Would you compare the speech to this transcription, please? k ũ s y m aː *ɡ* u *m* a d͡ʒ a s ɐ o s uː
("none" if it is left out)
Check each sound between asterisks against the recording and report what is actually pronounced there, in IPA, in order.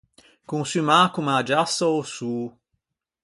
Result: k, m

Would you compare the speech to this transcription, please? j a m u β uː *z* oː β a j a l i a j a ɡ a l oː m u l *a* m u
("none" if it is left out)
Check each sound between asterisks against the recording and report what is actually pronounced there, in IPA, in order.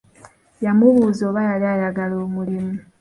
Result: z, i

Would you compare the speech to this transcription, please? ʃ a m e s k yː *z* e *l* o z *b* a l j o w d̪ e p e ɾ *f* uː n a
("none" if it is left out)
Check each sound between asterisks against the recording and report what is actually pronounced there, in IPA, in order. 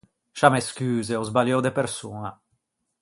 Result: z, none, b, s

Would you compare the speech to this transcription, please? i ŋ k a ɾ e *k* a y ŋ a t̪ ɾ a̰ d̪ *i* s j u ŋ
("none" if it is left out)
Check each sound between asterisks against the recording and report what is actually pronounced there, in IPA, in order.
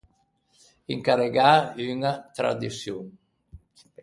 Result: ɡ, i

